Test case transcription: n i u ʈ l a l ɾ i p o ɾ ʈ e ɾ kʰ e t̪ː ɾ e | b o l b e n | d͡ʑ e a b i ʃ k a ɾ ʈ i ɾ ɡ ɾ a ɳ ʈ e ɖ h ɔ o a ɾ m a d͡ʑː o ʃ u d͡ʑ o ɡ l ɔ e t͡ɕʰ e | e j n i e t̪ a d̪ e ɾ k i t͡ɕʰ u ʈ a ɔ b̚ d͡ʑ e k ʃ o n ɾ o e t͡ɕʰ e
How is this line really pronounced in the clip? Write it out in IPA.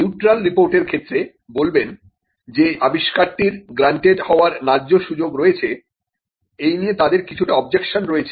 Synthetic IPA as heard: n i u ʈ ɾ a l ɾ i p o ɾ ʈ e ɾ kʰ e t̪ː ɾ e | b o l b e n | d͡ʑ e a b i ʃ k a ɾ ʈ i ɾ ɡ ɾ a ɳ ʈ e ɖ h ɔ o a ɾ n a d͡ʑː o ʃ u d͡ʑ o ɡ ɾ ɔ e t͡ɕʰ e | e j n i e t̪ a d̪ e ɾ k i t͡ɕʰ u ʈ a ɔ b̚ d͡ʑ e k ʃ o n ɾ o e t͡ɕʰ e